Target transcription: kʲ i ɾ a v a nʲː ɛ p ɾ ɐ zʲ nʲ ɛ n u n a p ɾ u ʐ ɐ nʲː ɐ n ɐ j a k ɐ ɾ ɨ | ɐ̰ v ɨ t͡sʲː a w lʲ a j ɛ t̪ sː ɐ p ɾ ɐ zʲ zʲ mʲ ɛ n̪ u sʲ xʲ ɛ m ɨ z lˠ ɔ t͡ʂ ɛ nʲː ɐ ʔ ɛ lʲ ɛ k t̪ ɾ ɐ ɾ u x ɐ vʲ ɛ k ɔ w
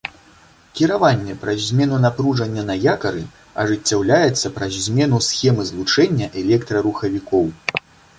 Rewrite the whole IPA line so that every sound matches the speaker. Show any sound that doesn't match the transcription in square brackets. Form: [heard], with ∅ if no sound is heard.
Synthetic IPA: kʲ i ɾ a v a nʲː ɛ p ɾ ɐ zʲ [mʲ] ɛ n u n a p ɾ u ʐ ɐ nʲː ɐ n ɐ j a k ɐ ɾ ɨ | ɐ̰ [ʐ] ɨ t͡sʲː a w lʲ a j ɛ t̪ sː ɐ p ɾ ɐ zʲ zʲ mʲ ɛ n̪ u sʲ xʲ ɛ m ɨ z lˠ [u] t͡ʂ ɛ nʲː ɐ ʔ ɛ lʲ ɛ k t̪ ɾ ɐ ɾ u x ɐ vʲ [i] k ɔ w